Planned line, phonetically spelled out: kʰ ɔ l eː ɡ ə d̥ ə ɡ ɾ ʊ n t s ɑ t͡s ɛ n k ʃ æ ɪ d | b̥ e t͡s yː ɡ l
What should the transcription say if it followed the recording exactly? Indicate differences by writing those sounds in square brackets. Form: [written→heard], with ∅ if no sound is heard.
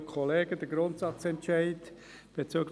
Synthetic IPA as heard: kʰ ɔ l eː ɡ ə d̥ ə ɡ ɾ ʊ n t s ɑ t͡s ɛ n [k→t] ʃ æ ɪ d | b̥ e t͡s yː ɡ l